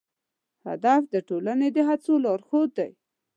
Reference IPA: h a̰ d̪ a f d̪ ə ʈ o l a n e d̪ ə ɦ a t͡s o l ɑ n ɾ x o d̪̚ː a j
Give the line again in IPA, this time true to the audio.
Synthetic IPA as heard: h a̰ d̪ a f d̪ ə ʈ o l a n e d̪ ə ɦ a t͡s o l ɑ ɾ x o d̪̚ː a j